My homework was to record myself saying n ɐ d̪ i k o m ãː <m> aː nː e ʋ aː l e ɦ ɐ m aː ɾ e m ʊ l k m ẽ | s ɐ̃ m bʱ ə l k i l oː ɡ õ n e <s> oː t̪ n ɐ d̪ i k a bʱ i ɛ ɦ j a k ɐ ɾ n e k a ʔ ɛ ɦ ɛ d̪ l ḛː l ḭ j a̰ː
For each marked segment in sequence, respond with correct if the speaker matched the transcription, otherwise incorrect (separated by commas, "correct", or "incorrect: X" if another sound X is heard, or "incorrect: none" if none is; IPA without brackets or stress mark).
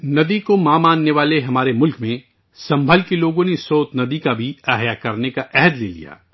correct, correct